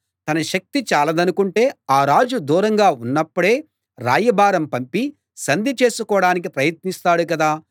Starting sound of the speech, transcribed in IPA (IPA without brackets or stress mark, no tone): t̪